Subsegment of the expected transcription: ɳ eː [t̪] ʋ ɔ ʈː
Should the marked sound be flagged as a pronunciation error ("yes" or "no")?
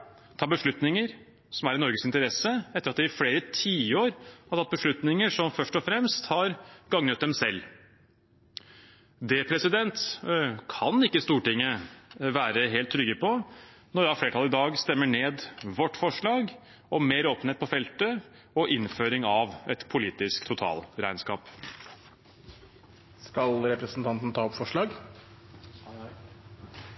yes